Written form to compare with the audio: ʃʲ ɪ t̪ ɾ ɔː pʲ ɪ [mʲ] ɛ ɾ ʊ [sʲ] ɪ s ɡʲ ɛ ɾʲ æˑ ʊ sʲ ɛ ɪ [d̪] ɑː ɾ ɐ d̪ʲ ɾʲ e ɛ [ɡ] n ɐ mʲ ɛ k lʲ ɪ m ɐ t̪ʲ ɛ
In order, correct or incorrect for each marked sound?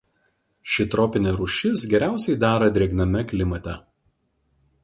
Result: incorrect: nʲ, incorrect: ʃʲ, correct, correct

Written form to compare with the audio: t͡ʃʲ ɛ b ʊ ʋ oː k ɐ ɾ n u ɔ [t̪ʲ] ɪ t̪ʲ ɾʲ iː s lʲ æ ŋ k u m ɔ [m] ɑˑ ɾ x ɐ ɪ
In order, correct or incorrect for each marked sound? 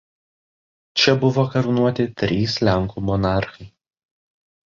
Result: correct, incorrect: n

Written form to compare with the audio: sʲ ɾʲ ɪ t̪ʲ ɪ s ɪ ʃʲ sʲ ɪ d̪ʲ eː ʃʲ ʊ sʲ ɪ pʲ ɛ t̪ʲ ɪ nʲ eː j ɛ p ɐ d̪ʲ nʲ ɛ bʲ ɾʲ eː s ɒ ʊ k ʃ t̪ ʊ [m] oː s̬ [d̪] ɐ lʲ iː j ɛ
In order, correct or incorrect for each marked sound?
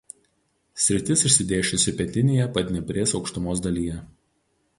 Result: correct, correct

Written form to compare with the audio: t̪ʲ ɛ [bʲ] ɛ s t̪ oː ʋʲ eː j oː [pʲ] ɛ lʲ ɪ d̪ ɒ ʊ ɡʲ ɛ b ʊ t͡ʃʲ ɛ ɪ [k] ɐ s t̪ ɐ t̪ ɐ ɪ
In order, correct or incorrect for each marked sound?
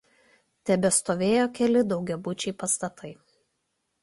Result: correct, incorrect: kʲ, incorrect: p

